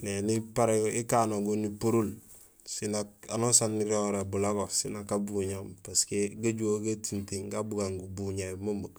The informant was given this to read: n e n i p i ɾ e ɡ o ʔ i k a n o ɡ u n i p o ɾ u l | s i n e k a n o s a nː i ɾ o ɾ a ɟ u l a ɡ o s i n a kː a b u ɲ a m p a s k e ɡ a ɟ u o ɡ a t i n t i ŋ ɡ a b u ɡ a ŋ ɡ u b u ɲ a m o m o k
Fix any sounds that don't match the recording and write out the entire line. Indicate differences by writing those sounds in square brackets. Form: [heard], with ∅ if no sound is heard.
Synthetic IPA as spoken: n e n i p [a] ɾ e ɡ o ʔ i k a n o ɡ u n i p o ɾ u l | s i n [a] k a n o s a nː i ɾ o ɾ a [b] u l a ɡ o s i n a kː a b u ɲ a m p a s k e ɡ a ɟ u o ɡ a t i n t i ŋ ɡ a b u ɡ a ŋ ɡ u b u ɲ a m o m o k